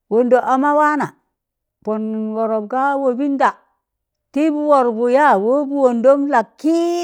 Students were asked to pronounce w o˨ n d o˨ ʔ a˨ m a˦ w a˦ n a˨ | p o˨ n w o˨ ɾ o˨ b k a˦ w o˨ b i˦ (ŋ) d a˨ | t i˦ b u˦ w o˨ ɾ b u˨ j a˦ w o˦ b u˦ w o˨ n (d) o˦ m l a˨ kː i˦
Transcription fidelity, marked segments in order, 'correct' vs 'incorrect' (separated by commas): incorrect, correct